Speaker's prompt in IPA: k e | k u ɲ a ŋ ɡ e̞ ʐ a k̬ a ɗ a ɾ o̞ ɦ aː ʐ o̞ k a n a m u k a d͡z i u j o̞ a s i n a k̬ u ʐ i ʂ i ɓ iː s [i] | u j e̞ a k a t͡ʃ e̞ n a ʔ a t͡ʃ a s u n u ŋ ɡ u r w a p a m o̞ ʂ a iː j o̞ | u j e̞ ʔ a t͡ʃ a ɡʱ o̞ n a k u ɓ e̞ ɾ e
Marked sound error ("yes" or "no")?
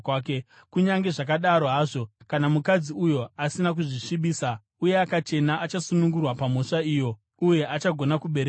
yes